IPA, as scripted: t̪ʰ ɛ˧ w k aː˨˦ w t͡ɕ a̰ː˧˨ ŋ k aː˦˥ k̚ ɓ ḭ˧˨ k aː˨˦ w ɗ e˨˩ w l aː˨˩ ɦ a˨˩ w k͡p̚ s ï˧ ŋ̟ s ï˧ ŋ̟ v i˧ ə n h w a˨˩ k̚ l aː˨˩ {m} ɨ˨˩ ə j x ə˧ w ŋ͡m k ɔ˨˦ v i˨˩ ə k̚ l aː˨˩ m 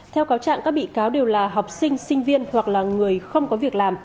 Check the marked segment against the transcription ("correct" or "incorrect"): incorrect